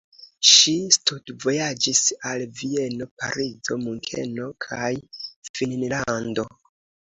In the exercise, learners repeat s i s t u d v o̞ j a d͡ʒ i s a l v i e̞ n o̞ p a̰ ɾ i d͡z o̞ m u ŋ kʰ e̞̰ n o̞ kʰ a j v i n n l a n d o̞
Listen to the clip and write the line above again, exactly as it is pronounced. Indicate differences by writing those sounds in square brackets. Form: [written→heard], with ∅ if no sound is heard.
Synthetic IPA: [s→ʃ] i s t u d v o̞ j a d͡ʒ i s a l v i e̞ n o̞ p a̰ ɾ i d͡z o̞ m u ŋ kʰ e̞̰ n o̞ kʰ a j [v→f] i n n l a n d o̞